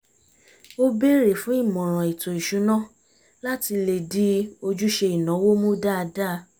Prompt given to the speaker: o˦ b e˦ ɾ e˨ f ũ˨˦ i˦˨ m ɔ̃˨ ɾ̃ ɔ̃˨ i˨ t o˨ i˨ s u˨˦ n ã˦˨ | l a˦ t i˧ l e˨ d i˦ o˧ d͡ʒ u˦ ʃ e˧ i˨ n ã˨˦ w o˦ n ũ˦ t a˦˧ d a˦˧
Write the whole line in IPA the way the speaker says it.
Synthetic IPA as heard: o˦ b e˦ ɾ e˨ f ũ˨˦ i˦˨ m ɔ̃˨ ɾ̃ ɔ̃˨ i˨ t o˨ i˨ ʃ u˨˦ n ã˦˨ | l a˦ t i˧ l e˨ d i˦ o˧ d͡ʒ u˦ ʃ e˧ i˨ n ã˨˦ w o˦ m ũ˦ d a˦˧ d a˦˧